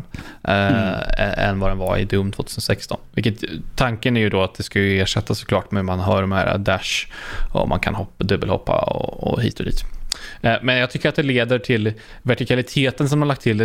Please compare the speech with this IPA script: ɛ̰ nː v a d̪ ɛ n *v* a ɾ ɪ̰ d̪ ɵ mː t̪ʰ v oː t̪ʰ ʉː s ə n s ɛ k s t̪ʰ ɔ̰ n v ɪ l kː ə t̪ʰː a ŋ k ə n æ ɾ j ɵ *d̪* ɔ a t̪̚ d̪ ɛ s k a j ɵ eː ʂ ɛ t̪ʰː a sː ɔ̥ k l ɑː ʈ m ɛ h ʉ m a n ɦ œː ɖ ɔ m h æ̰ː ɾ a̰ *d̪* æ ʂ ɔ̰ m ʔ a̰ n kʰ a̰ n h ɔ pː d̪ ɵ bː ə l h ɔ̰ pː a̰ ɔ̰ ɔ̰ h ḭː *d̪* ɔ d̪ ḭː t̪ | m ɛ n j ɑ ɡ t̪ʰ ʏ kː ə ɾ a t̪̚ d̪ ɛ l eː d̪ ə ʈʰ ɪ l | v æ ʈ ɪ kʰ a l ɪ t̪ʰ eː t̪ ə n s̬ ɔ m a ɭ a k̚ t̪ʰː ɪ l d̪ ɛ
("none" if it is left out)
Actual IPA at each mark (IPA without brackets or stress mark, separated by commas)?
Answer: v, d̪, d̪, t̪